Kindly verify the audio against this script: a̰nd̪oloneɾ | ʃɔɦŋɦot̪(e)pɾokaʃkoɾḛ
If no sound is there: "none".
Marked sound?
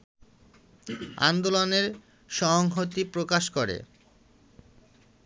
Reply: i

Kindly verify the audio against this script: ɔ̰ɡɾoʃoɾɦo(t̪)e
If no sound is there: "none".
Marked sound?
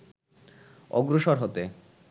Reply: t̪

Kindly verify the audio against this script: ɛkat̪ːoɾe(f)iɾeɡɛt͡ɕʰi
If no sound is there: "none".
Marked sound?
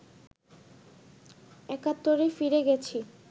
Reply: f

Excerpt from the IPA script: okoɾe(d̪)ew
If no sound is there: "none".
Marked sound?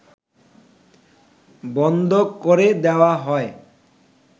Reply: d̪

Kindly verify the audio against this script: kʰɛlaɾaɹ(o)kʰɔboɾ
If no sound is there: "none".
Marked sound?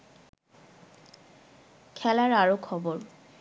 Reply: o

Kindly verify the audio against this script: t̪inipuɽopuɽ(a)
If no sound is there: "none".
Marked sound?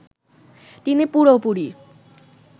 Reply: i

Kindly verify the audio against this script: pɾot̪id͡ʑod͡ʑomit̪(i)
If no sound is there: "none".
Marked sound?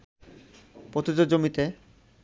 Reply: e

